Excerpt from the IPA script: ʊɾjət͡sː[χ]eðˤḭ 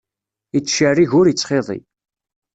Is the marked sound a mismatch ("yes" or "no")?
no